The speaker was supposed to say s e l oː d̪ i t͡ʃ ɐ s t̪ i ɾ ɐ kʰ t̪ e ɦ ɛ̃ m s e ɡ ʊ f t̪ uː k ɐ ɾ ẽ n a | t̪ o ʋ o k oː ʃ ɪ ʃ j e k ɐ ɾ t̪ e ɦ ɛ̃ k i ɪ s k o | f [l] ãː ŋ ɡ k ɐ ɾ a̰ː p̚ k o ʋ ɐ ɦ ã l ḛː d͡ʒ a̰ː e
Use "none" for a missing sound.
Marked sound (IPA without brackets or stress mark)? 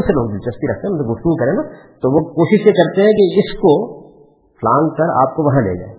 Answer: l